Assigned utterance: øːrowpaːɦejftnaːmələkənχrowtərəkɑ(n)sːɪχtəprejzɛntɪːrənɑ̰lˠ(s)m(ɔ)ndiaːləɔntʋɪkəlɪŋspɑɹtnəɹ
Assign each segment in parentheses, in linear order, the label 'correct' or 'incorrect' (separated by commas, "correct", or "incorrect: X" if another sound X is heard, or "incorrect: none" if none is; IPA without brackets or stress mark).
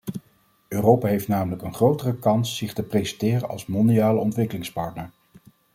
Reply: correct, correct, correct